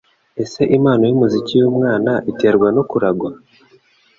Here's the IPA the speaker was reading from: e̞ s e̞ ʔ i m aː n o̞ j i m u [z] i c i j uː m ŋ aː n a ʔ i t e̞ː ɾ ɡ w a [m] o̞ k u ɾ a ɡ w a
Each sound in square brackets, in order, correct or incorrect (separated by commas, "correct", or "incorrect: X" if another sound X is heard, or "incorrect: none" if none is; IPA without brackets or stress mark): correct, incorrect: n